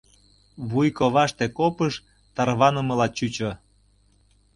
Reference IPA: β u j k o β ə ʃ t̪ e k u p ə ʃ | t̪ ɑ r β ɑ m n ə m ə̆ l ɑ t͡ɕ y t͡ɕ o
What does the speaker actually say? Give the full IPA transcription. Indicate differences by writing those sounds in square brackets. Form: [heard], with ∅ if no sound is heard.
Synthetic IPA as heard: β u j k o β [ɑ] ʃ t̪ e k [o] p ə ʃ | t̪ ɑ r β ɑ [∅] n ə m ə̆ l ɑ t͡ɕ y t͡ɕ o